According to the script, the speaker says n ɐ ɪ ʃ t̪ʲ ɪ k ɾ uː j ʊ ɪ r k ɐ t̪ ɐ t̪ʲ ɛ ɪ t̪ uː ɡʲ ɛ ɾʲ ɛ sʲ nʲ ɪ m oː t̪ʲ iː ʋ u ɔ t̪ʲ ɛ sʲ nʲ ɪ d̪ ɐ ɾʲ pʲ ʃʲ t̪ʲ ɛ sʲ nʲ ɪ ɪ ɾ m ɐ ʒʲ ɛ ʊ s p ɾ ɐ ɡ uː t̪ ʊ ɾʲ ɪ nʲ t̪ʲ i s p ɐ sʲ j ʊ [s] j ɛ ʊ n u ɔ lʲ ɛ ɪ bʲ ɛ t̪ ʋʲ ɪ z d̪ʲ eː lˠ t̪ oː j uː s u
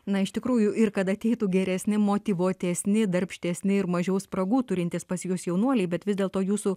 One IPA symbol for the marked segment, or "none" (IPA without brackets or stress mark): s